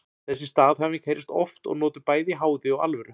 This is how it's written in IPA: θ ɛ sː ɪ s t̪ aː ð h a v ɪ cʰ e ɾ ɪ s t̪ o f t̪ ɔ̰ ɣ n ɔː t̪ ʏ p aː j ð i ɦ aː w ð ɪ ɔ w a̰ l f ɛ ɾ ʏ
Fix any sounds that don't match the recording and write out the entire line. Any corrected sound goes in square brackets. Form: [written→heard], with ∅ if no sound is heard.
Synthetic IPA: θ ɛ sː ɪ s t̪ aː ð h a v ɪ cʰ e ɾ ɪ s t̪ [o→ɔ] f t̪ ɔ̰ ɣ n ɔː t̪ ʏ p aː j ð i ɦ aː w ð ɪ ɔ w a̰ l [f→v] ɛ ɾ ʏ